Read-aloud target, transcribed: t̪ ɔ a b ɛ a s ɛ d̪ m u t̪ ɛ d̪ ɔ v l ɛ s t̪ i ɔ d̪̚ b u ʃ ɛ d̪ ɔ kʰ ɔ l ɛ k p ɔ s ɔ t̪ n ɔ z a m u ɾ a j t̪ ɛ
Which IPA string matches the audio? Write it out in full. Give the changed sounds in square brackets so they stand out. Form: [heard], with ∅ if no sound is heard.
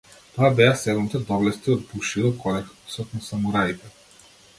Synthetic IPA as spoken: t̪ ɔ a b ɛ a s ɛ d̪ m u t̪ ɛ d̪ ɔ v l ɛ s t̪ i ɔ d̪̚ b u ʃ [i] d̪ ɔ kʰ ɔ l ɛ k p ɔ s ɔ t̪ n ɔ [s] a m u ɾ a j t̪ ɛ